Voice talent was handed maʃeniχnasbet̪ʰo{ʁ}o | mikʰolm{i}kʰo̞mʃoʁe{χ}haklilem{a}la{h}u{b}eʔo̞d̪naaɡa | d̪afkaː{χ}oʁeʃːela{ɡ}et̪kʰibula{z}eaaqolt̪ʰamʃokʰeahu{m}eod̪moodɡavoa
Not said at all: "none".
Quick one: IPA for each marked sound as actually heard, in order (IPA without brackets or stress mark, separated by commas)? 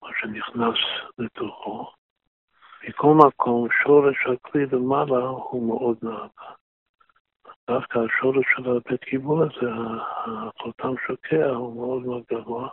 χ, a, ʃ, a, h, m, ʃ, b, z, m